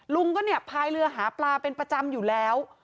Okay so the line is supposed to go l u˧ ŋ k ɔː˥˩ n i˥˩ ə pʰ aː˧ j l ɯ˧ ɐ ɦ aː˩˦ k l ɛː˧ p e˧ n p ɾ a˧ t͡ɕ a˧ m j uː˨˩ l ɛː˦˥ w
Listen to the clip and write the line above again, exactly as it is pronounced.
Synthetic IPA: l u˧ ŋ k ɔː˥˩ n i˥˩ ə pʰ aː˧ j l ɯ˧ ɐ ɦ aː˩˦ p l aː˧ p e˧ n p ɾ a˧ t͡ɕ a˧ m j uː˨˩ l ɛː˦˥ w